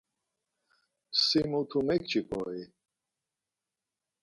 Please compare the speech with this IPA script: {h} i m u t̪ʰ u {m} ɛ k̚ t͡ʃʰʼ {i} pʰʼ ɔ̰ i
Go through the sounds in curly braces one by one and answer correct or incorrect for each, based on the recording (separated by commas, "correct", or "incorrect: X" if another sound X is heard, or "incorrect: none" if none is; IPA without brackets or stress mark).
incorrect: s, correct, correct